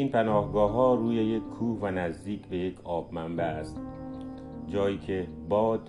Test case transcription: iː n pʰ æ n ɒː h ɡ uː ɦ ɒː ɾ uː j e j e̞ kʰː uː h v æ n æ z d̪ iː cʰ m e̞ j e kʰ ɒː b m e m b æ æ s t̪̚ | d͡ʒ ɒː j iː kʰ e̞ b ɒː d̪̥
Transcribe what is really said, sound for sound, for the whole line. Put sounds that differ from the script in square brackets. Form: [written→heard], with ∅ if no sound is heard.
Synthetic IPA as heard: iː n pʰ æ n ɒː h ɡ [uː→ɒː] ɦ ɒː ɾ uː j e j e̞ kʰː uː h v æ n æ z d̪ iː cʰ [m→b] e̞ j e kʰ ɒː b m [e→æ] m b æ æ s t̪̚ | d͡ʒ ɒː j iː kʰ e̞ b ɒː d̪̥